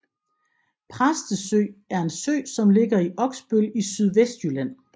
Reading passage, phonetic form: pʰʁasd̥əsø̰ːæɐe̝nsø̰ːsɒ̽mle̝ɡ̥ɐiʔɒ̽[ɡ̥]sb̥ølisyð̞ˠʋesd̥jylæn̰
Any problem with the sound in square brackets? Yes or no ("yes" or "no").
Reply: no